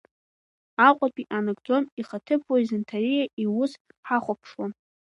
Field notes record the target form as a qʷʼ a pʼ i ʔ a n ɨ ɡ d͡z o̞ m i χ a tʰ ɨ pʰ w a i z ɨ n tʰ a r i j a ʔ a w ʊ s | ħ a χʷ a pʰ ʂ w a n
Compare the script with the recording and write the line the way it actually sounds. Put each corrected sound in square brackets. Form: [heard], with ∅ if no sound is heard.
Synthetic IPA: a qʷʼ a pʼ i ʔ a n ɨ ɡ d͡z o̞ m i χ a tʰ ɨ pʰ w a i z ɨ n tʰ a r i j a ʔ [i] w ʊ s | ħ a χʷ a pʰ ʂ w a n